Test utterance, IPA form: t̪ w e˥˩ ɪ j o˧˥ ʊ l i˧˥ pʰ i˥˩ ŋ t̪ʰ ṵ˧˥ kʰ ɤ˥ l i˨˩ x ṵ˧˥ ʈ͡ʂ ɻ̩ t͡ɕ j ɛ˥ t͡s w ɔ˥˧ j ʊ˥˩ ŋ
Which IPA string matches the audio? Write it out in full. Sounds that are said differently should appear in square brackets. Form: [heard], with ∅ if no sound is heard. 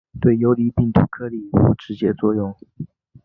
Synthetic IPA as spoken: t̪ w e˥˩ ɪ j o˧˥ ʊ l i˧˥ [p] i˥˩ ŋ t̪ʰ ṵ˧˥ kʰ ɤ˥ l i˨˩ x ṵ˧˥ ʈ͡ʂ ɻ̩ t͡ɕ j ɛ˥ t͡s w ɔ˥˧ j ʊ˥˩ ŋ